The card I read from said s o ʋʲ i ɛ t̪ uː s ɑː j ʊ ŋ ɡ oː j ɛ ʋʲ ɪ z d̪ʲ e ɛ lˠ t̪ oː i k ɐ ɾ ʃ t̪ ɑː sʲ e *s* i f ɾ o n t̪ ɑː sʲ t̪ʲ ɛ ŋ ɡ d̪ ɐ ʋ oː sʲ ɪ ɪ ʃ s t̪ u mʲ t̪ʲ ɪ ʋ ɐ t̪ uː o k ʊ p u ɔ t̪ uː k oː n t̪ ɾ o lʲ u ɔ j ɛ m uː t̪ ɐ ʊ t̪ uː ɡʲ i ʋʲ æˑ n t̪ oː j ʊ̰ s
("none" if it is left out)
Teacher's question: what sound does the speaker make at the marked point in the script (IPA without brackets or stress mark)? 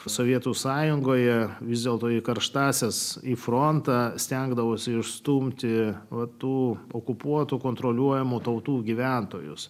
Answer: s